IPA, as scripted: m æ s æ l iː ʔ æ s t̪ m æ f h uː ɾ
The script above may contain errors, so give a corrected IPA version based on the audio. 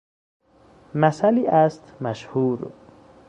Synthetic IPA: m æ s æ l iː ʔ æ s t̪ m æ ʃ h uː ɾ